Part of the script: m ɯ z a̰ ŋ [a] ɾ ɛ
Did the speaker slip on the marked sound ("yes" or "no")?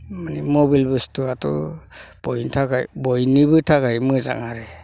no